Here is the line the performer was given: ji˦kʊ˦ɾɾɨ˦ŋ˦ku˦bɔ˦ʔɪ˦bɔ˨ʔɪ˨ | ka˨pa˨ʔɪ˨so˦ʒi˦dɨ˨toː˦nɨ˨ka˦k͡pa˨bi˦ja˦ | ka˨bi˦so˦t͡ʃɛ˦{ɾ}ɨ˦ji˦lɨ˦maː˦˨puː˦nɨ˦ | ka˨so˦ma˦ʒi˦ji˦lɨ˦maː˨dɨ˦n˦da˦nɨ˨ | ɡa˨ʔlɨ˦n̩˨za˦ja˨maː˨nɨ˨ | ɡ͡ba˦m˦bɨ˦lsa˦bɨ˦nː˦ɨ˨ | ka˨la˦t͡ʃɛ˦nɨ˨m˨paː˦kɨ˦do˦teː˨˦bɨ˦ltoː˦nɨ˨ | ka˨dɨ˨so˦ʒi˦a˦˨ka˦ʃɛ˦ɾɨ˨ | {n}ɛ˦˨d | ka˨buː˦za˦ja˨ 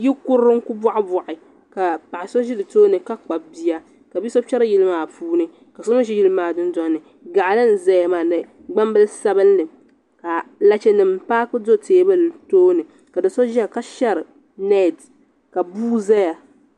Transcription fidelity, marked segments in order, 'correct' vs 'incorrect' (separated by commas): correct, correct